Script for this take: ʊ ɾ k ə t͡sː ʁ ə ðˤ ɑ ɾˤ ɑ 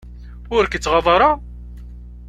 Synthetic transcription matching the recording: ʊ ɾ k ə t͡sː ʁ ɑ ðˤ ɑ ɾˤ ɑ